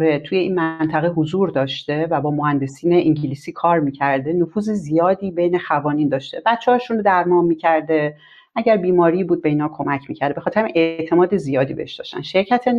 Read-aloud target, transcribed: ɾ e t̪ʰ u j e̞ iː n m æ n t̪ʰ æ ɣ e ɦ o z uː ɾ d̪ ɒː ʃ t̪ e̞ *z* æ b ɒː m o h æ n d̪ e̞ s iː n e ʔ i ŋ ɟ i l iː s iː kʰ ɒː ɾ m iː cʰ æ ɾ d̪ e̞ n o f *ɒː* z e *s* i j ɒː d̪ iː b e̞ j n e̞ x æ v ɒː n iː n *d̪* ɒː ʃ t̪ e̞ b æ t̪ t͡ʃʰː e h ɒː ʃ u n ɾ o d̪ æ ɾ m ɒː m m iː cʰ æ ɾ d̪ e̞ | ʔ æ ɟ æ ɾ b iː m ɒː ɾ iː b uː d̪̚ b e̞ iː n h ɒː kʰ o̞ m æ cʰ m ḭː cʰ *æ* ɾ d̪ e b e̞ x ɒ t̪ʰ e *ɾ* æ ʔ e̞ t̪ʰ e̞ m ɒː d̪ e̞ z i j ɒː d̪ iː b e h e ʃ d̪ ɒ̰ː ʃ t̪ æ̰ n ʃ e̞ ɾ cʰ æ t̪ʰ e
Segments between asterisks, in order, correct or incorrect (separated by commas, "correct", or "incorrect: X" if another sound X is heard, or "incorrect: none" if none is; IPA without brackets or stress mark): incorrect: v, incorrect: uː, incorrect: z, correct, correct, correct